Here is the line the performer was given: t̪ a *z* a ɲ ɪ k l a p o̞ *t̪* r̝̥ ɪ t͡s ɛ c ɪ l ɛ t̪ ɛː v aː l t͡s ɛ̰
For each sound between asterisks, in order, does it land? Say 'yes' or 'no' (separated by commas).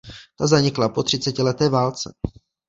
yes, yes